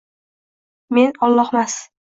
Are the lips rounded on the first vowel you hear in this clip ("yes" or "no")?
no